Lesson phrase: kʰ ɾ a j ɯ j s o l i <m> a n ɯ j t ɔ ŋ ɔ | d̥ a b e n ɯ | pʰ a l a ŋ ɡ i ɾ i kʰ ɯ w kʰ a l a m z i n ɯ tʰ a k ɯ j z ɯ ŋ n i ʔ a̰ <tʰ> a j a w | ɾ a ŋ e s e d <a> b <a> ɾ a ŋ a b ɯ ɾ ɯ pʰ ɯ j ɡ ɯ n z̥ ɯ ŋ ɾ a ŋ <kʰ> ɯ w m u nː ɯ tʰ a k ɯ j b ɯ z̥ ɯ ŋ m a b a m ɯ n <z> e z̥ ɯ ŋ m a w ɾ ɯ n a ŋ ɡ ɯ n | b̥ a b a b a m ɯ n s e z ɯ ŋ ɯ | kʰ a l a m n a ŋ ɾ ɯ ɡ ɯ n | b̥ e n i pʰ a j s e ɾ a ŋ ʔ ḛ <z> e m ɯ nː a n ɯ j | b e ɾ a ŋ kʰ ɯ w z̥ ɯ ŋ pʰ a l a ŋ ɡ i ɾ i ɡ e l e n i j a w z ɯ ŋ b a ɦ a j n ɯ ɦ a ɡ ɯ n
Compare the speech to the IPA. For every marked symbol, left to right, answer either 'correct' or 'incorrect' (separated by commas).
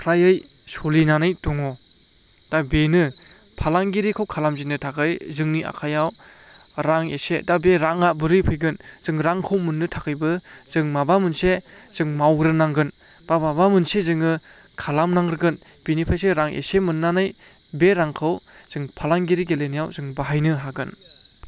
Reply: incorrect, incorrect, correct, incorrect, correct, incorrect, incorrect